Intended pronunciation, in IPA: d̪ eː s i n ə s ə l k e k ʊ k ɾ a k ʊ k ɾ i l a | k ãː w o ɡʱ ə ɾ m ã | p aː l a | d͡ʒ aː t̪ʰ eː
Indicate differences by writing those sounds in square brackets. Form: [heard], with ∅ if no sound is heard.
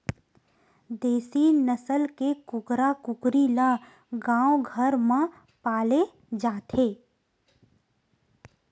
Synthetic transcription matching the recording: d̪ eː s i n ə s ə l k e k ʊ k ɾ a k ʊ k ɾ i l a | [ɡ] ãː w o ɡʱ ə ɾ m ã | p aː l [e] | d͡ʒ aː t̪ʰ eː